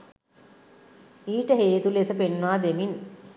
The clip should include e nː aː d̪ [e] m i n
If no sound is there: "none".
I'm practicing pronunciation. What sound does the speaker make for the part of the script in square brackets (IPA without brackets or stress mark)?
e